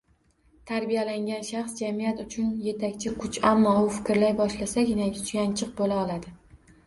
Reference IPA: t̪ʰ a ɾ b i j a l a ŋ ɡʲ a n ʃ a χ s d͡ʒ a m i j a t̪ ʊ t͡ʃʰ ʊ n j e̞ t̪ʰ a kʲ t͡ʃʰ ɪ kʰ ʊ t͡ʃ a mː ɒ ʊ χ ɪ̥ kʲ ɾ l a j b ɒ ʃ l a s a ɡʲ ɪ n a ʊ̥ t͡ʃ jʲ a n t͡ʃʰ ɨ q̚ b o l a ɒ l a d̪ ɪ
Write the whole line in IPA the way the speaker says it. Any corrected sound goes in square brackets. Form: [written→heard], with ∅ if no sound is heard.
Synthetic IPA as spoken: t̪ʰ a ɾ b i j a l a ŋ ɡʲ a n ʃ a χ s d͡ʒ a m i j a t̪ ʊ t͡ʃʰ ʊ n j e̞ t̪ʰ a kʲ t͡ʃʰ ɪ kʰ ʊ t͡ʃ a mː ɒ ʊ [χ→f] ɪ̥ kʲ ɾ l a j b ɒ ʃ l a s a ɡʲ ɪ n a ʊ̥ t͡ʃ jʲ a n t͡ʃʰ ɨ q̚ b o l a ɒ l a d̪ ɪ